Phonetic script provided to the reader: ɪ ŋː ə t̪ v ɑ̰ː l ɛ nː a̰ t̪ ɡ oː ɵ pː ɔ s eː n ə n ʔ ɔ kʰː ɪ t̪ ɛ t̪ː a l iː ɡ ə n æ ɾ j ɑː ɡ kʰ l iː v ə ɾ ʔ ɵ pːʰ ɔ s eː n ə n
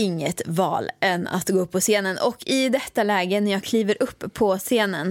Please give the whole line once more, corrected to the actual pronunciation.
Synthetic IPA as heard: ɪ ŋː ə t̪ v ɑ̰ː l ɛ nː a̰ t̪ ɡ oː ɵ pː ɔ s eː n ə n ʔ ɔ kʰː ɪ d̪ ɛ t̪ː a l ɛː ɡ ə n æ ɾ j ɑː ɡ kʰ l iː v ə ɾ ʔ ɵ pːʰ ɔ s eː n ə n